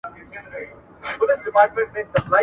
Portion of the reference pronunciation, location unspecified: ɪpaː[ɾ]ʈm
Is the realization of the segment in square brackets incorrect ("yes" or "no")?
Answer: no